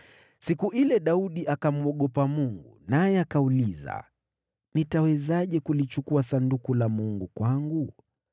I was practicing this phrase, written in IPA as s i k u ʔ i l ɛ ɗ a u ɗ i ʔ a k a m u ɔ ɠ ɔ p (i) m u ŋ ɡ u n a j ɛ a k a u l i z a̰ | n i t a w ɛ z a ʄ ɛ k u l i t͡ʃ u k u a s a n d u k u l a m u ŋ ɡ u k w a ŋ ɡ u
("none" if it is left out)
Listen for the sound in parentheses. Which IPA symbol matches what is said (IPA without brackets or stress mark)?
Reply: a